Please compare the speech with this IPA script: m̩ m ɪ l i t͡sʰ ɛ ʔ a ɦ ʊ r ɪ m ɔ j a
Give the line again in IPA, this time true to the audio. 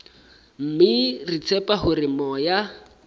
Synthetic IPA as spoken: m̩ m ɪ r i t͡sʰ ɛ p a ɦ ʊ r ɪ m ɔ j a

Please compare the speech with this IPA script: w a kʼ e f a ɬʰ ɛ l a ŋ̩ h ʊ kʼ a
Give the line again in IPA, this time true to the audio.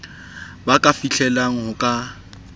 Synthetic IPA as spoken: b a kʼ a f i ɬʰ ɛ l a ŋ̩ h ʊ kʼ a

